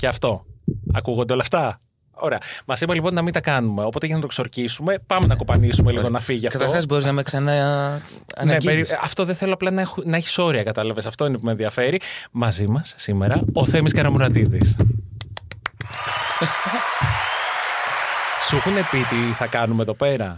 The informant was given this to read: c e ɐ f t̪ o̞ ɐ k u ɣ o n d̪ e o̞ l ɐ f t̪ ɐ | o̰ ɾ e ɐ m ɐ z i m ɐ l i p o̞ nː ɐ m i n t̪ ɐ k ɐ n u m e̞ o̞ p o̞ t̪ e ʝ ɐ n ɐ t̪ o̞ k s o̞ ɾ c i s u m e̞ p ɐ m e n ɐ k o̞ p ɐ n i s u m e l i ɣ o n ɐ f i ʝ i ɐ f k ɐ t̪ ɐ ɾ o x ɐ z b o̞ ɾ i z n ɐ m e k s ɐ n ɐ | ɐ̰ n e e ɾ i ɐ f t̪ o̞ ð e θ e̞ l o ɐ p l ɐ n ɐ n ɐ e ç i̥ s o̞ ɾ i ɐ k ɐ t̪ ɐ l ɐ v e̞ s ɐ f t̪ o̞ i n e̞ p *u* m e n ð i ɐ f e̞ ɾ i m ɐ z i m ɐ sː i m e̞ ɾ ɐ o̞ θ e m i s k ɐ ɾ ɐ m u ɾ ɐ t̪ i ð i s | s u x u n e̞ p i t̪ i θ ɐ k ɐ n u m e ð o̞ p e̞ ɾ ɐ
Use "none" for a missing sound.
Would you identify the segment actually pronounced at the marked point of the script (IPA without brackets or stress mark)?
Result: u